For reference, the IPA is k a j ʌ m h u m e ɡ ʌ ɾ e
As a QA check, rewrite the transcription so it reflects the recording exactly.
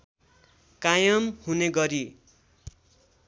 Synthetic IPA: k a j ʌ m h u n e ɡ ʌ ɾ i